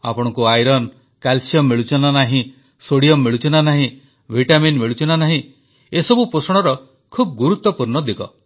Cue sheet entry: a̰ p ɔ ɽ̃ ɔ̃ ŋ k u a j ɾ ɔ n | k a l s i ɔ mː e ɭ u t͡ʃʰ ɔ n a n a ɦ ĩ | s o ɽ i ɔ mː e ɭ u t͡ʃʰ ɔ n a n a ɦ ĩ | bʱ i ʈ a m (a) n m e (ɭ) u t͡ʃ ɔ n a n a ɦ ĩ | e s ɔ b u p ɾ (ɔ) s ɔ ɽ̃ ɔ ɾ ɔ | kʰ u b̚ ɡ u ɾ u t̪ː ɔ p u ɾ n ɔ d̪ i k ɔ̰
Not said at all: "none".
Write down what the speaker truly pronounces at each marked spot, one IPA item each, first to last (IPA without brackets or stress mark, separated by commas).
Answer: i, ɭ, o